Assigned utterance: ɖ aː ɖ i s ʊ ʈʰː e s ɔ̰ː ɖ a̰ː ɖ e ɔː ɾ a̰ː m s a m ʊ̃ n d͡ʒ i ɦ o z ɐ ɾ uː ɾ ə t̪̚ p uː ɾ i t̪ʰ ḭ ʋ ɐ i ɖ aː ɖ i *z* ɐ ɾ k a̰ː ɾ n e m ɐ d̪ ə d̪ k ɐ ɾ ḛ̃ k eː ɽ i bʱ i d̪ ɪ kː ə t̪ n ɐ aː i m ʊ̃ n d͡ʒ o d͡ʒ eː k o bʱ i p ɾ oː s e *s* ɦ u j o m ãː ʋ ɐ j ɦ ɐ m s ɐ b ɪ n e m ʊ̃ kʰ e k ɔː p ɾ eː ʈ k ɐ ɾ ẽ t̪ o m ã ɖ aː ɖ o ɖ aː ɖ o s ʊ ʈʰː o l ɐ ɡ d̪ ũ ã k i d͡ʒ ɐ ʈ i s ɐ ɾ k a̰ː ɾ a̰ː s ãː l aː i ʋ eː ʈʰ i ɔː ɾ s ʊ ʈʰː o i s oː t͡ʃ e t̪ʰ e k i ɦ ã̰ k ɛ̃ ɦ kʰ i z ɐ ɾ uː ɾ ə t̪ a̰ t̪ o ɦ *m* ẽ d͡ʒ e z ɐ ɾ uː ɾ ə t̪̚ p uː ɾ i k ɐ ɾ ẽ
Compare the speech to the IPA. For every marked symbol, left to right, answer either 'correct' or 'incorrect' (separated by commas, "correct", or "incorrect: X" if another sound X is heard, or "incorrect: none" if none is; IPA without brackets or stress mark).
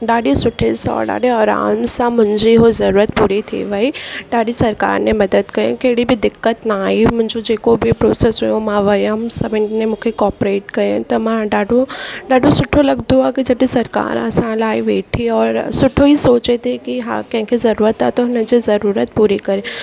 incorrect: s, correct, incorrect: n